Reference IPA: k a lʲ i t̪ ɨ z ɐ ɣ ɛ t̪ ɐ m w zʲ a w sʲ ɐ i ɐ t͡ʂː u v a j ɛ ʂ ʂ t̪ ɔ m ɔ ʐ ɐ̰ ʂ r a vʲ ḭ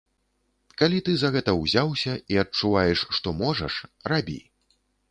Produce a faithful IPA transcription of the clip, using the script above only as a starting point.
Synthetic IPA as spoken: k a lʲ i t̪ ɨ z ɐ ɣ ɛ t̪ ɐ w zʲ a w sʲ ɐ i ɐ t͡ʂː u v a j ɛ ʂ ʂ t̪ ɔ m ɔ ʐ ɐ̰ ʂ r a bʲ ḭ